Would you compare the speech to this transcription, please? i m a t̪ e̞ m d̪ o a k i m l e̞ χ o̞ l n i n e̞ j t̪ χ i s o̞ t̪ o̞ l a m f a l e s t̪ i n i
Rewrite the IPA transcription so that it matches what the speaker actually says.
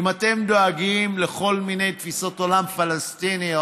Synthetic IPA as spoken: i m a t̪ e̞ m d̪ o a ɡ i m l e̞ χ o̞ l m i n e̞ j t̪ f i s o̞ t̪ o̞ l a m f a l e s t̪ i n i